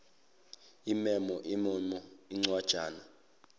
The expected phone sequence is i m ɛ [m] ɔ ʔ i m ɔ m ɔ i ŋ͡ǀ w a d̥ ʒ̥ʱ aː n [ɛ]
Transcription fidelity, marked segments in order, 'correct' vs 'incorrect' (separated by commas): correct, incorrect